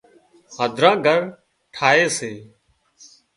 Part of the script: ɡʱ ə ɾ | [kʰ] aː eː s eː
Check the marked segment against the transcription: incorrect: ʈʰ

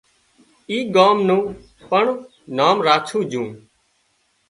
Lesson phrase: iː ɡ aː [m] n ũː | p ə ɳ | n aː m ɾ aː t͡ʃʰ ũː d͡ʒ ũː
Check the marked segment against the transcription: correct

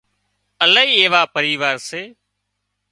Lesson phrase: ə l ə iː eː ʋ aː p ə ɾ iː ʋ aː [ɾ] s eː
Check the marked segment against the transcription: correct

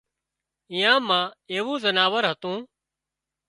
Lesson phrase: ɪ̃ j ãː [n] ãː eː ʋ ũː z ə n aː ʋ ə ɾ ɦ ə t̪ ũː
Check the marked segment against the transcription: incorrect: m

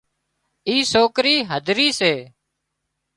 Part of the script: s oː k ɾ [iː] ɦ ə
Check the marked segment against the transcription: correct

